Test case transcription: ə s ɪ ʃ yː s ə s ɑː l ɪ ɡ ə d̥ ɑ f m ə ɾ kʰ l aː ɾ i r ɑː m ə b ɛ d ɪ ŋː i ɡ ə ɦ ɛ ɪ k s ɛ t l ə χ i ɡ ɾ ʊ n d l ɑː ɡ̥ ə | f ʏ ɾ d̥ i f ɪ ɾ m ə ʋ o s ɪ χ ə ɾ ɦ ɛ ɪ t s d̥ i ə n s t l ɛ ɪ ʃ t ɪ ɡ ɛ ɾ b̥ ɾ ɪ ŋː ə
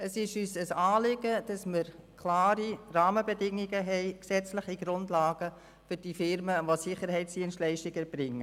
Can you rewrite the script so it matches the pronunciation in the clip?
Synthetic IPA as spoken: ə s ɪ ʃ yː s ə s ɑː l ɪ ɡ ə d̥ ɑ s m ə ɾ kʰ l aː ɾ i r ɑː m ə b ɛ d ɪ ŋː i ɡ ə ɦ ɛ ɪ k s ɛ t͡s l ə χ i ɡ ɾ ʊ n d l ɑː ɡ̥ ə | f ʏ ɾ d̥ i f ɪ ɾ m ə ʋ o s ɪ χ ə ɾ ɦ ɛ ɪ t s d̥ i ə n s t l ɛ ɪ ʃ t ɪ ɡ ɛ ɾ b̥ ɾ ɪ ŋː ə